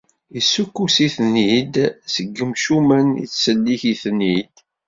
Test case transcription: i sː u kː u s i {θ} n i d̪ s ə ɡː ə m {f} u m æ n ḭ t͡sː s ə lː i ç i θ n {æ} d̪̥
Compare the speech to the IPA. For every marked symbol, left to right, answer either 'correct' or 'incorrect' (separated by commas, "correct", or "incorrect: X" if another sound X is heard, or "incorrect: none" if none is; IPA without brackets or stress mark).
correct, incorrect: ʃ, incorrect: i